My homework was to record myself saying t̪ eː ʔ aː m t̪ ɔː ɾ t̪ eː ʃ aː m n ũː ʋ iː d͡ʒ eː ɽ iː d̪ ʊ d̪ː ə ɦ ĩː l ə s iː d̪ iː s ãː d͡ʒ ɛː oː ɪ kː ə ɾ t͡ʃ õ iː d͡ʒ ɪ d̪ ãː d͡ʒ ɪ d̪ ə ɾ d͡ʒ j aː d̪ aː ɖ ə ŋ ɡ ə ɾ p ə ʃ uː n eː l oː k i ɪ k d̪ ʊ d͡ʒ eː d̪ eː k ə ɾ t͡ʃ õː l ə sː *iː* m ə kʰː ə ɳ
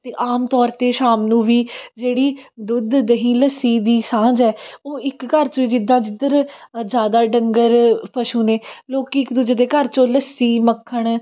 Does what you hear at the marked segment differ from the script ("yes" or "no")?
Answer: no